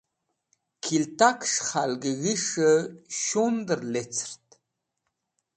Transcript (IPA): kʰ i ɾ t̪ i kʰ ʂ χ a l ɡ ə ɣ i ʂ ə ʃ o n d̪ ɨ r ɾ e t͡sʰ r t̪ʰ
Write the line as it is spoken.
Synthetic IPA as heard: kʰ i l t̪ a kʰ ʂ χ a l ɡ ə ɣ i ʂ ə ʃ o n d̪ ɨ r l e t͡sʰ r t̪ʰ